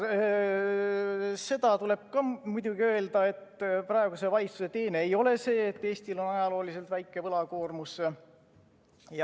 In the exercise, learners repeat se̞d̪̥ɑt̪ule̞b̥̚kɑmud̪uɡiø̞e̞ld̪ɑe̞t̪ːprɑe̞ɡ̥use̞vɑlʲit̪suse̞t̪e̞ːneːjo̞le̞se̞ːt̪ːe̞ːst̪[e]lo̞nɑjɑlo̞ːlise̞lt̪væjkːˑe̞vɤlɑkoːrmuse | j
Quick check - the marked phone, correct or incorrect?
incorrect